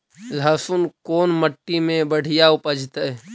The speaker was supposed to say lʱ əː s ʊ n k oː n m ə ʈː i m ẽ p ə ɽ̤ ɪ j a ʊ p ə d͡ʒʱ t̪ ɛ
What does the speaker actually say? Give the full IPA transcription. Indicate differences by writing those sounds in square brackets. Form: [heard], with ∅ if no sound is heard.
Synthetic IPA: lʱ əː s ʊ n k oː n m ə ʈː i m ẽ [b] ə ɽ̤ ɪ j a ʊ p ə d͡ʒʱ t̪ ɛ